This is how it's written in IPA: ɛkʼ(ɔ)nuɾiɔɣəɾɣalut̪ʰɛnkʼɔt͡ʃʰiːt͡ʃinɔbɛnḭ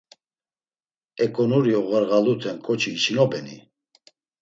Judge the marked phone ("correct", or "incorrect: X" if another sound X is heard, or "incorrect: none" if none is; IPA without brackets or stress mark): correct